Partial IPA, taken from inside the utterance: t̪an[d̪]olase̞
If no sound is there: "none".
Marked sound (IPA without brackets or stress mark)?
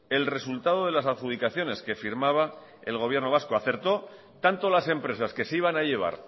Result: t̪